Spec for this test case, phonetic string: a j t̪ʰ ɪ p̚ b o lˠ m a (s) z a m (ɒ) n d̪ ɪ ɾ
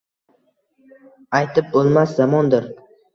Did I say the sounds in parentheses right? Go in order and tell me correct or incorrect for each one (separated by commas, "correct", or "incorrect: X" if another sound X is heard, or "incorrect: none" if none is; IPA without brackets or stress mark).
correct, correct